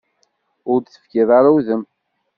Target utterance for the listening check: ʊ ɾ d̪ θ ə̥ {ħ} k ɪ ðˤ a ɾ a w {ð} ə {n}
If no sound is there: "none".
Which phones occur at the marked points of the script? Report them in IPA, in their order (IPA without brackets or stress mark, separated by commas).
f, ð, m